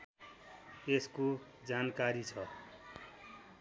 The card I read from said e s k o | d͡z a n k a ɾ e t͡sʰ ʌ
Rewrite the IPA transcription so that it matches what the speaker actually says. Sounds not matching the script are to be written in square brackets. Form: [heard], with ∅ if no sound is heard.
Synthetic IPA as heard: e s k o | d͡z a n k a ɾ [i] t͡sʰ ʌ